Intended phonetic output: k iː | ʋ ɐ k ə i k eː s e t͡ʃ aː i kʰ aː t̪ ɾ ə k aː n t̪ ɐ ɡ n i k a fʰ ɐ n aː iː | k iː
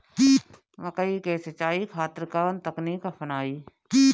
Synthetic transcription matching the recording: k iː | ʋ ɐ k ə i k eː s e t͡ʃ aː i kʰ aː t̪ ɾ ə k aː n t̪ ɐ k n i k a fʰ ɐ n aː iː | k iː